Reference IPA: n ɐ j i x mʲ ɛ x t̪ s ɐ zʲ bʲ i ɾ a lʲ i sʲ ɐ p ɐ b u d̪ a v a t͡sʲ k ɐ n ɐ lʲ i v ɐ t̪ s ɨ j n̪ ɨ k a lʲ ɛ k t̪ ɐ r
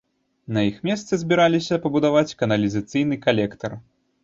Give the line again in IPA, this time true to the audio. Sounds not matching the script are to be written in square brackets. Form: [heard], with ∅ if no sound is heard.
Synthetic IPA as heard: n ɐ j i x mʲ ɛ [s] t̪ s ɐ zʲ bʲ i ɾ a lʲ i sʲ ɐ p ɐ b u d̪ a v a t͡sʲ k ɐ n ɐ lʲ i [z] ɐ t̪ s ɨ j n̪ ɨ k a lʲ ɛ k t̪ ɐ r

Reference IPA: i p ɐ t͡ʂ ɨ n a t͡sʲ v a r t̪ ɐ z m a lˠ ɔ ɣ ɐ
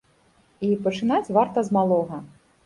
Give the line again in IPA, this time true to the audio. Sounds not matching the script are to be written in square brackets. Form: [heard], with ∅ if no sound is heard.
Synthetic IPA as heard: i p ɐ t͡ʂ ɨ n a t͡sʲ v a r t̪ ɐ z m a lˠ ɔ ɣ ɐ

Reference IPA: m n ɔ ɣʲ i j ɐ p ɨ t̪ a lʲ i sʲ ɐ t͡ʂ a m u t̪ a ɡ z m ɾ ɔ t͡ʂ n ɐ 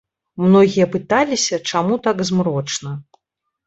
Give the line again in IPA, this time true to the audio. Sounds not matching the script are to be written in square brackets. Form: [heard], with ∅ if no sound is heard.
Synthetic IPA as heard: m n ɔ ɣʲ i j ɐ p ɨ t̪ a lʲ i sʲ ɐ t͡ʂ a m u t̪ a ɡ z m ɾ ɔ t͡ʂ n ɐ

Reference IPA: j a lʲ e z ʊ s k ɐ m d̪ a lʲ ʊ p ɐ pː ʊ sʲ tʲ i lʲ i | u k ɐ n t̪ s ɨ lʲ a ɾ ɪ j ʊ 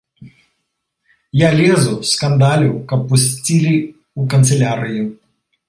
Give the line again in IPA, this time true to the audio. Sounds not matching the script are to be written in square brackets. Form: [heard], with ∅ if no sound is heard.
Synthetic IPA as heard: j a lʲ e z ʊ s k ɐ [n] d̪ a lʲ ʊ [k] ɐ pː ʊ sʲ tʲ i lʲ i | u k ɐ n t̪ s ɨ lʲ a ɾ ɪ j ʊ

